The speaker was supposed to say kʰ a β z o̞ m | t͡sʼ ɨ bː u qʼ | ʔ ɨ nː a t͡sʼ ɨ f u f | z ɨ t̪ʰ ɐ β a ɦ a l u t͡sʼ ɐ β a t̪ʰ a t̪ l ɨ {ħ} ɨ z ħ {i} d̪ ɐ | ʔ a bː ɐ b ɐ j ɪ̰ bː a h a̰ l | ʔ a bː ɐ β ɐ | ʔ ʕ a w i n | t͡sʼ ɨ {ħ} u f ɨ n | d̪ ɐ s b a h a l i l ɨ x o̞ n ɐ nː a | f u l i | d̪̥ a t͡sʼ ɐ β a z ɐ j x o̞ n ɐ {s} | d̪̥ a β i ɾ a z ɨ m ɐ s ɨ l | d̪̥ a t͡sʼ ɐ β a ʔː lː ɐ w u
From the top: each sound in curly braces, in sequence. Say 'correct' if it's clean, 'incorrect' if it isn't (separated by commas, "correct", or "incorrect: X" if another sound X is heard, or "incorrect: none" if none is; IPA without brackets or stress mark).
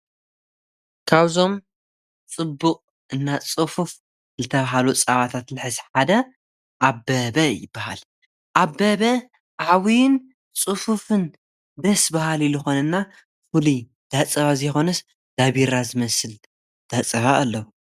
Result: correct, incorrect: a, incorrect: f, correct